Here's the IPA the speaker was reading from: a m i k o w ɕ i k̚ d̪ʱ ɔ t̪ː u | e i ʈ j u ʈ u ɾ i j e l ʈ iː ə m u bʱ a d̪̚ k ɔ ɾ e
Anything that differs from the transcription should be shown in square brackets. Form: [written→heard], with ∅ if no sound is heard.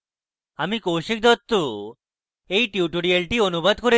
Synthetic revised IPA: a m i k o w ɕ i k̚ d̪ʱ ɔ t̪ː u | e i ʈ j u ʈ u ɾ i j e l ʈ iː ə [m→n] u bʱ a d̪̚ k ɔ ɾ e